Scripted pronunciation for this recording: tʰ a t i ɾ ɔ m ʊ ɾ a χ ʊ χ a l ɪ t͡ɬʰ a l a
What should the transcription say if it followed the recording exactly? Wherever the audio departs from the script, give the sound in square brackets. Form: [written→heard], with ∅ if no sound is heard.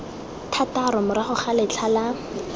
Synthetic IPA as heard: tʰ a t [i→a] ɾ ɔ m ʊ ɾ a χ ʊ χ a l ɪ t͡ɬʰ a l a